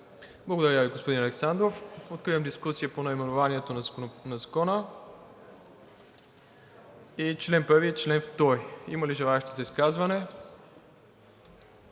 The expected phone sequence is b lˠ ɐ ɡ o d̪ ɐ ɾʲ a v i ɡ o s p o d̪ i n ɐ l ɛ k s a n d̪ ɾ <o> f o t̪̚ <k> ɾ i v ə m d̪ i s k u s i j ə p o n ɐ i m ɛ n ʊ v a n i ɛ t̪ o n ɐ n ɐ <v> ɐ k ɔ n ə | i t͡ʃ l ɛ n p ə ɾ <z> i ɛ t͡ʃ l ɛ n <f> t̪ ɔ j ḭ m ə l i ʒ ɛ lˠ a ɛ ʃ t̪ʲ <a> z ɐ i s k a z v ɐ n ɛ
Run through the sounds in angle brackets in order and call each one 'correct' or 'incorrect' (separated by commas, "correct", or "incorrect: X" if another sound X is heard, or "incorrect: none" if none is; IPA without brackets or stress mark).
correct, correct, incorrect: z, incorrect: v, correct, incorrect: i